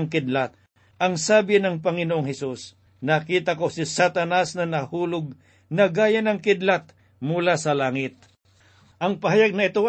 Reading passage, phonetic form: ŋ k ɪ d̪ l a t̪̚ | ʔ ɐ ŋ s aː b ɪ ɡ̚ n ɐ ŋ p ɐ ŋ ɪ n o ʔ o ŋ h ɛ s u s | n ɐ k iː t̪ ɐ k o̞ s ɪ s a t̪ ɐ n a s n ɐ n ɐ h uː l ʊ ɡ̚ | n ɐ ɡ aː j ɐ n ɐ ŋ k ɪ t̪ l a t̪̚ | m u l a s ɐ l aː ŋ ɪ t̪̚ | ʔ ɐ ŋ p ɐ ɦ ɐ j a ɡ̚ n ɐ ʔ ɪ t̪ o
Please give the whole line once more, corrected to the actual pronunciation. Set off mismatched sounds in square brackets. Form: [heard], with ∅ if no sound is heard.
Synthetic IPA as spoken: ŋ k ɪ d̪ l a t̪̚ | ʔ ɐ ŋ s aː b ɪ [∅] n ɐ ŋ p ɐ ŋ ɪ n o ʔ o ŋ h ɛ s u s | n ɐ k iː t̪ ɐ k o̞ s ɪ s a t̪ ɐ n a s n ɐ n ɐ h uː l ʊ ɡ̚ | n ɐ ɡ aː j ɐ n ɐ ŋ k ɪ [d̪] l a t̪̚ | m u l a s ɐ l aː ŋ ɪ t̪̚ | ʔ ɐ ŋ p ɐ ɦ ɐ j a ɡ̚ n ɐ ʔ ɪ t̪ o